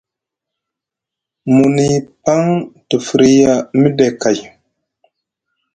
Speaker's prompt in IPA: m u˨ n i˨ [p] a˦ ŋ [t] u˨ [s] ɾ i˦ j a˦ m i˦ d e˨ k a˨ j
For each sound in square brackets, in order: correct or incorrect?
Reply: correct, correct, incorrect: f

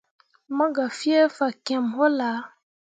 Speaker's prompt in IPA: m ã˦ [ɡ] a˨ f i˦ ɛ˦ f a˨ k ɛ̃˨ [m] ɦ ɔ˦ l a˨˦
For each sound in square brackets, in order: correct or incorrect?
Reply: correct, correct

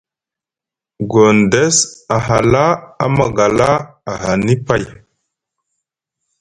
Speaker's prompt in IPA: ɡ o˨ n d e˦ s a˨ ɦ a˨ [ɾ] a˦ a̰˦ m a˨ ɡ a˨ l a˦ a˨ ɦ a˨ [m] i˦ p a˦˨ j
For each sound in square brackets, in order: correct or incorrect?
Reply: incorrect: l, incorrect: n

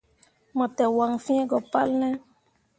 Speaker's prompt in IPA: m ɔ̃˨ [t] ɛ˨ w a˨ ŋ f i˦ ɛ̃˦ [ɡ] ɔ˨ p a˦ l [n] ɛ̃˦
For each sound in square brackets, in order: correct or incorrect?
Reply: correct, correct, correct

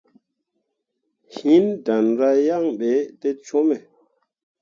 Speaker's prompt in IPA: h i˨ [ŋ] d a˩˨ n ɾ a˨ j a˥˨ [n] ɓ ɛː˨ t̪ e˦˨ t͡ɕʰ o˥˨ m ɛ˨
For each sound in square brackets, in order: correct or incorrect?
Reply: incorrect: n, incorrect: ŋ

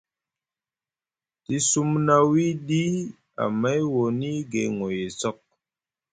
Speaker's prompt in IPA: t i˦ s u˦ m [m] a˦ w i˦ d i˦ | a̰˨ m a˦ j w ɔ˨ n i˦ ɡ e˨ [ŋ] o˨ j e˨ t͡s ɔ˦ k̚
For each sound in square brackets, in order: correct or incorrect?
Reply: incorrect: n, correct

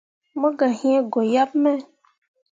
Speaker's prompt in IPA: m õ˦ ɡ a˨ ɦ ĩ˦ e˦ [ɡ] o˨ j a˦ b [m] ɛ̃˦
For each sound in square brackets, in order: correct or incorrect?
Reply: correct, correct

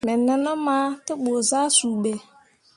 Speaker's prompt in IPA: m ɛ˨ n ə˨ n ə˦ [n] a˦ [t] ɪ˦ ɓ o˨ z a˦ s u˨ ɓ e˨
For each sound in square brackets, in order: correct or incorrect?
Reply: incorrect: m, correct

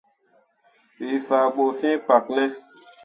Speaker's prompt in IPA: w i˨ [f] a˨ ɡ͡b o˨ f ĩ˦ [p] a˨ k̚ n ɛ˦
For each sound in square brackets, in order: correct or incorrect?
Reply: correct, correct

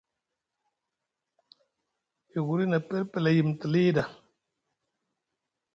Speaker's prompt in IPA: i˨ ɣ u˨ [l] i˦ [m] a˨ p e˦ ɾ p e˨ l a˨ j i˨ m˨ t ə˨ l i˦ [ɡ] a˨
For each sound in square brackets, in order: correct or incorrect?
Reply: incorrect: ɾ, incorrect: n, incorrect: d

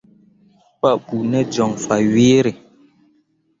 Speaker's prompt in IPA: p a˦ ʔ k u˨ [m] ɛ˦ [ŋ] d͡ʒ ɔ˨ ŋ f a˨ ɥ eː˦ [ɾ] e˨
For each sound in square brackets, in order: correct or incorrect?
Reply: incorrect: n, incorrect: none, correct

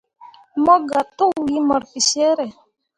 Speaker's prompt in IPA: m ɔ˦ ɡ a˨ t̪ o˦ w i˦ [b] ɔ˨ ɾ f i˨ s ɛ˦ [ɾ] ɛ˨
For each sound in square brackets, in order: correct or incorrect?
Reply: incorrect: m, correct

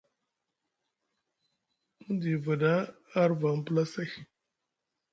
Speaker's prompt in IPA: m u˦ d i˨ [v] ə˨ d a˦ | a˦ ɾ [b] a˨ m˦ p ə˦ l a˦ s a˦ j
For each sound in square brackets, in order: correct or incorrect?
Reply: correct, incorrect: v

